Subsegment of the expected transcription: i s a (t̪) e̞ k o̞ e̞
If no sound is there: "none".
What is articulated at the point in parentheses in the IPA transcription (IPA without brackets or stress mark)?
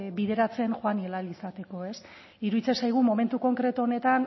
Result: t̪